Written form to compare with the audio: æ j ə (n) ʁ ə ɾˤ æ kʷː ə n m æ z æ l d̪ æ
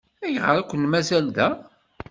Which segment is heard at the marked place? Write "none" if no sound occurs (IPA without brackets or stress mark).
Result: none